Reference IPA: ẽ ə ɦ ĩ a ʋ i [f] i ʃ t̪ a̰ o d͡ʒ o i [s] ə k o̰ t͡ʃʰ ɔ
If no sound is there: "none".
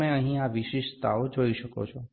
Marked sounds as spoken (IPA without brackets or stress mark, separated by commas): ʃ, ʃ